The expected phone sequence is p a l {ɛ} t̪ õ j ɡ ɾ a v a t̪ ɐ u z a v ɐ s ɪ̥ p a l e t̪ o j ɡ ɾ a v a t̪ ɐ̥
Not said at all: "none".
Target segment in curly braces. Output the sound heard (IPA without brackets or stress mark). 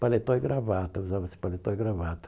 e